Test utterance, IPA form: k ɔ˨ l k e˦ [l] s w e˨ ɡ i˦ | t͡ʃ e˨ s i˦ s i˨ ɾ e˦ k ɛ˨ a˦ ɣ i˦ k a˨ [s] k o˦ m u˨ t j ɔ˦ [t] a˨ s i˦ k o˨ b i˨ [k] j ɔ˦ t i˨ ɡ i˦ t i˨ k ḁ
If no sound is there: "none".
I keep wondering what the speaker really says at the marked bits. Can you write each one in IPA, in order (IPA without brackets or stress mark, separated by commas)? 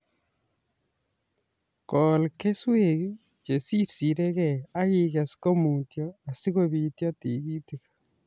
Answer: none, s, none, t